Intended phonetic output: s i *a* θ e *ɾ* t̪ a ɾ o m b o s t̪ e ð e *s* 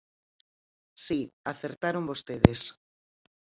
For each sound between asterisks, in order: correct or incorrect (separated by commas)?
correct, correct, correct